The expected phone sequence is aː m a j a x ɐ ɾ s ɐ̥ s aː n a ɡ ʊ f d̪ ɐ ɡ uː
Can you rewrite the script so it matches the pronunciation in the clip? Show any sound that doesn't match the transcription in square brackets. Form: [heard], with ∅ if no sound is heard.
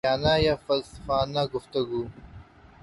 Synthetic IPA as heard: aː [n] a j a [f] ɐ [l] s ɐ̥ [f] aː n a ɡ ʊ f [t̪] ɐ ɡ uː